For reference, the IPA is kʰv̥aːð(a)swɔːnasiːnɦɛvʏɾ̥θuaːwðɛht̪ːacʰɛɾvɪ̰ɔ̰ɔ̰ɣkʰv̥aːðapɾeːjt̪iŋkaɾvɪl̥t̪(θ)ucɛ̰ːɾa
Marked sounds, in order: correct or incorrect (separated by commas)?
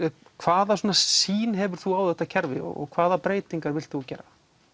correct, correct